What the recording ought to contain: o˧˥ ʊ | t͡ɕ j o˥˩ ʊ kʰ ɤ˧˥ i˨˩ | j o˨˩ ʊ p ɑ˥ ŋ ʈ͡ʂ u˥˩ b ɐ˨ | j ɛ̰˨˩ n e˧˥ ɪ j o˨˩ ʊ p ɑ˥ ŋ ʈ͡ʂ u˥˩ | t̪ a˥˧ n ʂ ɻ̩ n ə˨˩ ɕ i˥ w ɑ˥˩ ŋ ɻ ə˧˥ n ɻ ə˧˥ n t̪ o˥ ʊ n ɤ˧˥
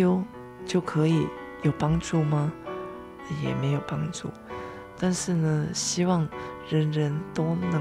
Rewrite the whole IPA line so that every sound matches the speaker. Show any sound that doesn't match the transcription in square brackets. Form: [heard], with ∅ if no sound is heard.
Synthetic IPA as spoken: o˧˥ ʊ | t͡ɕ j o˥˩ ʊ kʰ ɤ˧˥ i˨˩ | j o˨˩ ʊ p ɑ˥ ŋ ʈ͡ʂ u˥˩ [m] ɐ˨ | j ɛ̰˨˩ [m] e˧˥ ɪ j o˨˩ ʊ p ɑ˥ ŋ ʈ͡ʂ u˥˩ | t̪ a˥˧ n ʂ ɻ̩ n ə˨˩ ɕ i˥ w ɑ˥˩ ŋ ɻ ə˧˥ n ɻ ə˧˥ n t̪ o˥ ʊ n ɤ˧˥